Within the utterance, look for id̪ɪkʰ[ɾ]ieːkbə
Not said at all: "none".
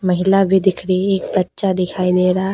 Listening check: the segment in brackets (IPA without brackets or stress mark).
ɾ